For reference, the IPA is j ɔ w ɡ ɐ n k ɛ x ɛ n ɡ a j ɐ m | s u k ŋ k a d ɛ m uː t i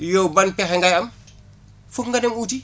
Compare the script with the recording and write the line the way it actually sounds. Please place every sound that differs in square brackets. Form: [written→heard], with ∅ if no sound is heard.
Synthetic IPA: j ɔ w [ɡ→b] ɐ n [k→p] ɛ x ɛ [n→ŋ] ɡ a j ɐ m | [s→f] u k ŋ [k→ɡ] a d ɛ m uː t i